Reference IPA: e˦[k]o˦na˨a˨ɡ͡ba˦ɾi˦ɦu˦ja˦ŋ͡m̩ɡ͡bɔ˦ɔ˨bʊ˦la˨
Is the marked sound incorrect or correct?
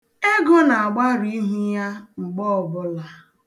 incorrect